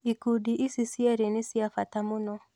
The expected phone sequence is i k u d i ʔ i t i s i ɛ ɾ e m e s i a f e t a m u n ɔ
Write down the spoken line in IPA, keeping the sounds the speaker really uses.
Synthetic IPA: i k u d i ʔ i s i s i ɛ ɾ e n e s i a f a t a m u n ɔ